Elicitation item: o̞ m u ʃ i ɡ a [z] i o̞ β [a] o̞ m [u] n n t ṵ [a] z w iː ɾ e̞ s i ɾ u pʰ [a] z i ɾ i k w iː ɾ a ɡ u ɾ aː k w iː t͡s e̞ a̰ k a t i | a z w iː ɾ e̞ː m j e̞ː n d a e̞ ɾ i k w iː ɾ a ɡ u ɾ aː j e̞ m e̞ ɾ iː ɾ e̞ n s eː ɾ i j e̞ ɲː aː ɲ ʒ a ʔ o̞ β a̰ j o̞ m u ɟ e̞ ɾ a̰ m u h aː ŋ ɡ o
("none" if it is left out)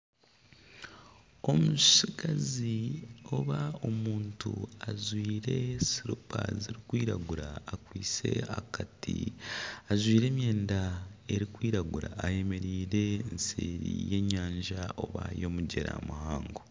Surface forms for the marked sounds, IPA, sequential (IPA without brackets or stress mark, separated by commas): z, a, uː, a, a